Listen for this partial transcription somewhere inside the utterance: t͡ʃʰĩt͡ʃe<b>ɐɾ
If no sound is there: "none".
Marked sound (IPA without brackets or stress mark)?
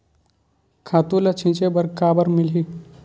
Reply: b